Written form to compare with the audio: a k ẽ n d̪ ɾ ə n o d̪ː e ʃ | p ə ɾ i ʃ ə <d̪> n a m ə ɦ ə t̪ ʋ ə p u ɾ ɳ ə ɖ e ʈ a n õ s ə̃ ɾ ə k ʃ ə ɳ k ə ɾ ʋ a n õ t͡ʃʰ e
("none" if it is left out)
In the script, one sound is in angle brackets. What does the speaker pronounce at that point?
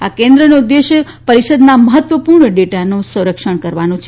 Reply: d̪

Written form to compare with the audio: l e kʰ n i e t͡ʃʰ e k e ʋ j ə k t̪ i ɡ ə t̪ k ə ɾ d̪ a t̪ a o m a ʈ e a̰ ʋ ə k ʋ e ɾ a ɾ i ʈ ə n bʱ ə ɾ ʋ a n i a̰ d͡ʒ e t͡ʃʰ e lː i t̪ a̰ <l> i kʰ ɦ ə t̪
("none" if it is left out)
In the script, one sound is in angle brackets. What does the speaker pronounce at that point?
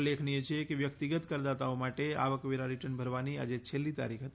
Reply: ɾ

